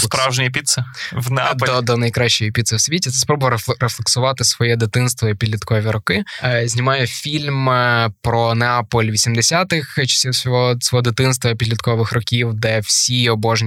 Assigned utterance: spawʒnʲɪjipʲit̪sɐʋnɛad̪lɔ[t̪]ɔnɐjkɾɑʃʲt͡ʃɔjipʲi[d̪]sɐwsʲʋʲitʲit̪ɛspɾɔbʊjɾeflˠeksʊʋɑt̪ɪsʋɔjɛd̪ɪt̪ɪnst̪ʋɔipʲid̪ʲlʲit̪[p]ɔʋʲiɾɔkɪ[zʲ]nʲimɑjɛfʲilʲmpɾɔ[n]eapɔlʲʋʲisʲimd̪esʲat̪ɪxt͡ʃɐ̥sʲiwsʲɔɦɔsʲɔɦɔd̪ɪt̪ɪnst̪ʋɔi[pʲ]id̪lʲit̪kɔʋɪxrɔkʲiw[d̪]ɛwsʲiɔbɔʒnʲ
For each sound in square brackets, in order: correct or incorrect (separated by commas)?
incorrect, incorrect, incorrect, correct, correct, correct, correct